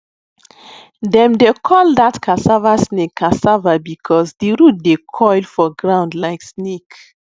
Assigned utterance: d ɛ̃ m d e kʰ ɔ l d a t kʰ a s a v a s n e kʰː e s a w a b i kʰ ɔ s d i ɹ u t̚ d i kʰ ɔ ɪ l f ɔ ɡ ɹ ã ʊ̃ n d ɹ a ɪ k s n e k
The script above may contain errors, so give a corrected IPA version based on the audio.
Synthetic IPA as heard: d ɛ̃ m d e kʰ ɔ l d a t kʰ a s a v a s n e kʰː a s a v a b i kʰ ɔ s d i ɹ u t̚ d e kʰ ɔ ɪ l f ɔ ɡ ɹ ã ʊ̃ n d l a ɪ k s n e k